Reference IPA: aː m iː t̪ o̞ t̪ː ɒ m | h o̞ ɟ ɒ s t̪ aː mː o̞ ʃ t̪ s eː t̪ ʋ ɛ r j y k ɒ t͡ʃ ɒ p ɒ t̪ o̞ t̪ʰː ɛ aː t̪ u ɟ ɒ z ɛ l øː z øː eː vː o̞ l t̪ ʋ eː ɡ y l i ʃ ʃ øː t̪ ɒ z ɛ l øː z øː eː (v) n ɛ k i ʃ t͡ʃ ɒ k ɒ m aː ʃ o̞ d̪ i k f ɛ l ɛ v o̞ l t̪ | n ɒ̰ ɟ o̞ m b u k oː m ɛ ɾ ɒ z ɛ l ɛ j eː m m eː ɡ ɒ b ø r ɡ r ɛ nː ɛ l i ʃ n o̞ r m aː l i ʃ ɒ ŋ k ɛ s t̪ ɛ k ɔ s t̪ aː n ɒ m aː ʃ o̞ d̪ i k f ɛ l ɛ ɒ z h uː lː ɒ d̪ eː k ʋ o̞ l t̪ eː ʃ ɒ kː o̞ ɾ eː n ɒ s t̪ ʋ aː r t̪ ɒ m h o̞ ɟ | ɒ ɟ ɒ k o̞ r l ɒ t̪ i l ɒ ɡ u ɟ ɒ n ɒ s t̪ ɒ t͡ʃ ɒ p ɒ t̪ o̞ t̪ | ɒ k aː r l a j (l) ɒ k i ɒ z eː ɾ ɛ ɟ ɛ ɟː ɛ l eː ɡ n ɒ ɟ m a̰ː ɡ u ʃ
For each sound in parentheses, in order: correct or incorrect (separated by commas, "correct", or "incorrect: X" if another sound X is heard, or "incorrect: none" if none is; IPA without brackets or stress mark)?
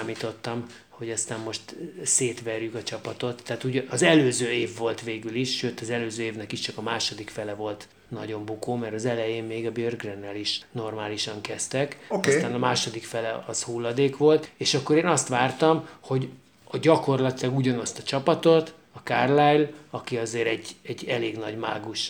correct, correct